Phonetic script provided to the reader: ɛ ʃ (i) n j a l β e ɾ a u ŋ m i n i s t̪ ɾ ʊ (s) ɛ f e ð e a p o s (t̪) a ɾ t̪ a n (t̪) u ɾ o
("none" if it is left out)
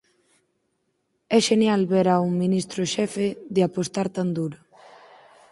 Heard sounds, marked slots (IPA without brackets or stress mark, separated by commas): e, ʃ, t̪, d̪